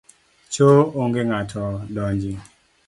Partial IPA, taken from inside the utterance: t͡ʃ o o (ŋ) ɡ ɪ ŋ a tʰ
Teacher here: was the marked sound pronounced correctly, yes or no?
yes